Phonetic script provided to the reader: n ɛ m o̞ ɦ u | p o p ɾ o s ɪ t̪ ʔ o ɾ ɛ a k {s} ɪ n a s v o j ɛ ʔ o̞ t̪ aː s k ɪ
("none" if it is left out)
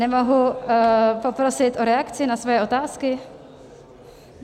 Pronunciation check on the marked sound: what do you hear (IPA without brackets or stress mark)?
t͡s